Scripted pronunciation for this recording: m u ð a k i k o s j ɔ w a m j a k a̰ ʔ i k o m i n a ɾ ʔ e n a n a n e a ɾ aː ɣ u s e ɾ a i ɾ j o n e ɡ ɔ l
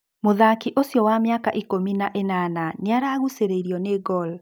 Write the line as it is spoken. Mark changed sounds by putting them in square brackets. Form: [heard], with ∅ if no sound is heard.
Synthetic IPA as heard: m [o] ð a k i [ʔ] o s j ɔ w a m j a k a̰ ʔ i k o m i n a [∅] ʔ e n a n a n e a ɾ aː ɣ u s e ɾ [e] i ɾ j [ɔ] n e ɡ ɔ l